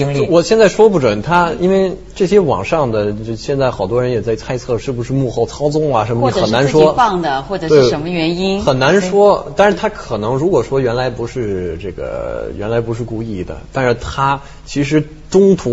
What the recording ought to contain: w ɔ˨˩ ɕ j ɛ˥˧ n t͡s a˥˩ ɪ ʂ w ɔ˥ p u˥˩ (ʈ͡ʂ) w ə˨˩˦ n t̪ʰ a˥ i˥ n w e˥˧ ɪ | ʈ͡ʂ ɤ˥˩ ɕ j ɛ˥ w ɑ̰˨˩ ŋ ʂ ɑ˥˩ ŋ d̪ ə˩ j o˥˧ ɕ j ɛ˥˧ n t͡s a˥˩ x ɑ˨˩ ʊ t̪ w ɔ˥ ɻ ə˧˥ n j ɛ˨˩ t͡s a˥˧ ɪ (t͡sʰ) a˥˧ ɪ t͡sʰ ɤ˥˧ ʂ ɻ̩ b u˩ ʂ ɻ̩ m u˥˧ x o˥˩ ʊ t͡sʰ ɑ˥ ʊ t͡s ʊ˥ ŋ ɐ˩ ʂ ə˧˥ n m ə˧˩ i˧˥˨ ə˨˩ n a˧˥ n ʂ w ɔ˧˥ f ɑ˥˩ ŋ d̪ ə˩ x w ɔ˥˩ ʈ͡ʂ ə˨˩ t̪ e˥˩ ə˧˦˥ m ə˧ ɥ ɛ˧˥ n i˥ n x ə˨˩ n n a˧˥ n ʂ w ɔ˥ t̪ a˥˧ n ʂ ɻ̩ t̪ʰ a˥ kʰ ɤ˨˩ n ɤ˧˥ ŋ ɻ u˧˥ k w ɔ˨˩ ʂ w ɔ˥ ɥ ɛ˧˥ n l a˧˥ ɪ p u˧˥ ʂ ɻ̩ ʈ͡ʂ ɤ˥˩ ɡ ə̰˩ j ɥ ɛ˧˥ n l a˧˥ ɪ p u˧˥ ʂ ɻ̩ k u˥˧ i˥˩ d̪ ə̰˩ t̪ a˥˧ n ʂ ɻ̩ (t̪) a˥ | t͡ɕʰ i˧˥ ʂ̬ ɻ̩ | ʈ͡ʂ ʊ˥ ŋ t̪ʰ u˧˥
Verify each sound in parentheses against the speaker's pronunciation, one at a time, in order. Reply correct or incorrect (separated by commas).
correct, correct, incorrect